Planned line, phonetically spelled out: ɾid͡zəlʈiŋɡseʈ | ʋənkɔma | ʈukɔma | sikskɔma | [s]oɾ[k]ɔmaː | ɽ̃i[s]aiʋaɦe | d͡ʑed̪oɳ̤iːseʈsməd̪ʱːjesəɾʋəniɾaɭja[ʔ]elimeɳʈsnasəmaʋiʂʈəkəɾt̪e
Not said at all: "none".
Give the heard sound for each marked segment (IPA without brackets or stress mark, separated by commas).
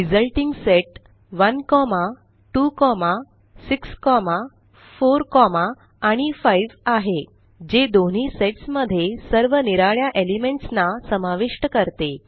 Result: f, k, f, ʔ